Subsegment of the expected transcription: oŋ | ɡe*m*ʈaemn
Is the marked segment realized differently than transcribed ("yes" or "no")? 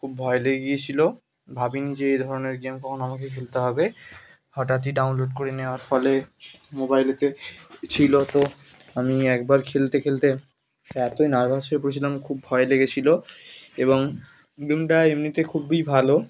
no